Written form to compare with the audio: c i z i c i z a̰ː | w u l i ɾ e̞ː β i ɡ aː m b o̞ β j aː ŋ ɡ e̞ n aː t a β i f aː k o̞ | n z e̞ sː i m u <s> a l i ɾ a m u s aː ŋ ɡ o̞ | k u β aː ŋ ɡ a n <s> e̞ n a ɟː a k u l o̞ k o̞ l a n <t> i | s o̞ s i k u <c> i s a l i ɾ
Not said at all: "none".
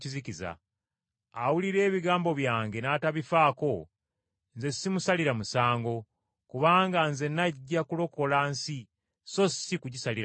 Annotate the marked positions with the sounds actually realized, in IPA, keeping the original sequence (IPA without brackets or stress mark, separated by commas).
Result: s, z, s, ɟ